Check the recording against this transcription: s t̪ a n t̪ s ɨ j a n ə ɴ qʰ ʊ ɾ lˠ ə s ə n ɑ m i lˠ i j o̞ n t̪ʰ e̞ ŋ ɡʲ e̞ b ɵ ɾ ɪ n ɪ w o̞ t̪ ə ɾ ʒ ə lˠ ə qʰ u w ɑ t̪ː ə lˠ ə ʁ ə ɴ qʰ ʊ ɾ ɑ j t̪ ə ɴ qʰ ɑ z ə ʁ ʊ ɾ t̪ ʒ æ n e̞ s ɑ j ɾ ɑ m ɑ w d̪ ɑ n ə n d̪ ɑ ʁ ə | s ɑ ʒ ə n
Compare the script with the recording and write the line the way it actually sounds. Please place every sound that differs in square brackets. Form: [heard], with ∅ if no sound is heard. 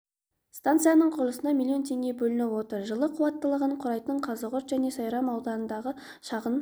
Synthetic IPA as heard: s t̪ a n t̪ s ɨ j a n ə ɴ qʰ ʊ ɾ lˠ ə s ə n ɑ m i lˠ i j o̞ n t̪ʰ e̞ ŋ ɡʲ e̞ b ɵ [l] ɪ n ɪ w o̞ t̪ ə ɾ ʒ ə lˠ ə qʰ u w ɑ t̪ː ə lˠ ə ʁ ə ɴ qʰ ʊ ɾ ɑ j t̪ ə ɴ qʰ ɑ z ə ʁ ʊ ɾ t̪ ʒ æ n e̞ s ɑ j ɾ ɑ m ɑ w d̪ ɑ n ə n d̪ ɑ ʁ ə | [ʃ] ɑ [ʁ] ə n

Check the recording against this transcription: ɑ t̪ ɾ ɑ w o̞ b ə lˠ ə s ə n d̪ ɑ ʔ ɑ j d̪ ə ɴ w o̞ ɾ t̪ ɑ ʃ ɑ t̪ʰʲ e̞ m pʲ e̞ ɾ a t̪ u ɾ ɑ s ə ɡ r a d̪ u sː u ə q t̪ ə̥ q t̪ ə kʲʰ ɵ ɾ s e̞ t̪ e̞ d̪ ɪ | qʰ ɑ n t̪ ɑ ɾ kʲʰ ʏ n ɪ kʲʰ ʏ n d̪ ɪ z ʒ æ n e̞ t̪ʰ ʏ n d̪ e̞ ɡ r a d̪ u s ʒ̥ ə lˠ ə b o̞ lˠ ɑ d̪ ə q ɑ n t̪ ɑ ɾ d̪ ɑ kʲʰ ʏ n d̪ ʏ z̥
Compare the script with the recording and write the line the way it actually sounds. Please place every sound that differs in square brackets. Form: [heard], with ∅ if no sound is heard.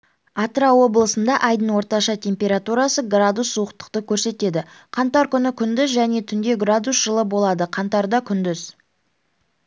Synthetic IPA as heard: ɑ t̪ ɾ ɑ w o̞ b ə lˠ ə s ə n d̪ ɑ ʔ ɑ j d̪ ə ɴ w o̞ ɾ t̪ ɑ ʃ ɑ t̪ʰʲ e̞ m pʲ e̞ ɾ a t̪ u ɾ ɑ s ə ɡ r a d̪ u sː u ə q t̪ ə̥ q t̪ ə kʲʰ ɵ ɾ s e̞ t̪ e̞ d̪ ɪ | qʰ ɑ n t̪ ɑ ɾ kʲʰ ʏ n ɪ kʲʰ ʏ n d̪ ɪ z ʒ æ n e̞ t̪ʰ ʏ n d̪ e̞ ɡ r a d̪ u s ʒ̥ ə lˠ ə b o̞ lˠ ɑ d̪ ə [qʰ] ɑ n t̪ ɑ ɾ d̪ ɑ kʲʰ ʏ n d̪ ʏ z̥

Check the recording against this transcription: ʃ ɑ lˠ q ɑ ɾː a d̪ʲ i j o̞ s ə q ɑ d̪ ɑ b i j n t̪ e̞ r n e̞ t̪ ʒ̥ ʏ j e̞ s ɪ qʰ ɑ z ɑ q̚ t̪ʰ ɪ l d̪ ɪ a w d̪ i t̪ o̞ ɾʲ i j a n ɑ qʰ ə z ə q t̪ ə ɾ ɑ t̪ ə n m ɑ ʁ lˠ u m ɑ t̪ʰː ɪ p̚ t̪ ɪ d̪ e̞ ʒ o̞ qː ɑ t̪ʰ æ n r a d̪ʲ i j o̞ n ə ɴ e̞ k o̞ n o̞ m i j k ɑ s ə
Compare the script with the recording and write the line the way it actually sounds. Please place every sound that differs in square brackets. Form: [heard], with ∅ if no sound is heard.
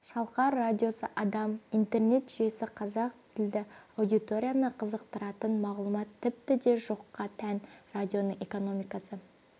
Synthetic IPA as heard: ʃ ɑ lˠ q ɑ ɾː a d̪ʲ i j o̞ s ə [ʔ] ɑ d̪ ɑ [m] i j n t̪ e̞ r n e̞ t̪ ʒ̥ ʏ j e̞ s ɪ qʰ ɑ z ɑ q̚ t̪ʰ ɪ l d̪ ɪ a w d̪ i t̪ o̞ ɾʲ i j a n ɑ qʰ ə z ə q t̪ ə ɾ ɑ t̪ ə n m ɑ ʁ lˠ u m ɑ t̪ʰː ɪ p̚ t̪ ɪ d̪ e̞ ʒ o̞ qː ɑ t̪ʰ æ n r a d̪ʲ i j o̞ n ə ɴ e̞ k o̞ n o̞ m i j k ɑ s ə

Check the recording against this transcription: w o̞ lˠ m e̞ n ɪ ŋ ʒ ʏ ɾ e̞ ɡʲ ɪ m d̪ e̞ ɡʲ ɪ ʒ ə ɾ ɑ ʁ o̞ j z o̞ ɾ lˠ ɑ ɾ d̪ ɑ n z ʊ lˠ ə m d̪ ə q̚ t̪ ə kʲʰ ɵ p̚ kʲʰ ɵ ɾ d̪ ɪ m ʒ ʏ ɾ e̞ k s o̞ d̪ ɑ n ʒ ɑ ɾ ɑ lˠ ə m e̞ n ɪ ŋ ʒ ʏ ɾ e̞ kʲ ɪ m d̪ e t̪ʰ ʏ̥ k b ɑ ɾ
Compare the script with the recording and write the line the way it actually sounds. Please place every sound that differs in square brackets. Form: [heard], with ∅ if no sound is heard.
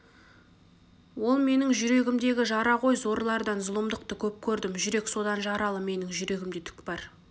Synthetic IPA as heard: w o̞ lˠ m e̞ n ɪ ŋ ʒ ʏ ɾ e̞ ɡʲ ɪ m d̪ e̞ ɡʲ ɪ ʒ [ɑ] ɾ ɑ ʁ o̞ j z o̞ ɾ lˠ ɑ ɾ d̪ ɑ n z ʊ lˠ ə m d̪ ə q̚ t̪ ə kʲʰ ɵ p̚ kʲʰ ɵ ɾ d̪ ɪ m ʒ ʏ ɾ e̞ k s o̞ d̪ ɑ n ʒ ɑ ɾ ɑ lˠ ə m e̞ n ɪ ŋ ʒ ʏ ɾ e̞ [ɡʲ] ɪ m d̪ e t̪ʰ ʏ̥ k b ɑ ɾ

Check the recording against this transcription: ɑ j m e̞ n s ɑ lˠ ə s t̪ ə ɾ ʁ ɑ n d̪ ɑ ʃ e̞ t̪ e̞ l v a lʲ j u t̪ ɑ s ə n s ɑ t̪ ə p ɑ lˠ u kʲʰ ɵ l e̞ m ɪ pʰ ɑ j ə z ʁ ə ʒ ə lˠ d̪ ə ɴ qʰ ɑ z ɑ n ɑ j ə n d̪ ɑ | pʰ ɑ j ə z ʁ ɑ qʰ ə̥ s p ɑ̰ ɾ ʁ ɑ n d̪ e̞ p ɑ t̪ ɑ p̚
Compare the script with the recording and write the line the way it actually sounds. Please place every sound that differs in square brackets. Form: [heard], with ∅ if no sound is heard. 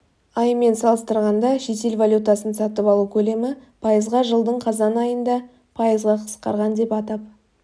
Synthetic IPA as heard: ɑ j m e̞ n s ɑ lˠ ə s t̪ ə ɾ ʁ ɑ n d̪ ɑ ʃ e̞ t̪ e̞ l v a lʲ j u t̪ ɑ s ə n s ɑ t̪ ə p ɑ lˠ u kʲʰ ɵ l e̞ m ɪ pʰ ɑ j ə z ʁ [ɑ] ʒ ə lˠ d̪ ə ɴ qʰ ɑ z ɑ n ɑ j ə n d̪ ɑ | pʰ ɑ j ə z ʁ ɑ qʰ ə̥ s [q] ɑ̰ ɾ ʁ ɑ n d̪ e̞ p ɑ t̪ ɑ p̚

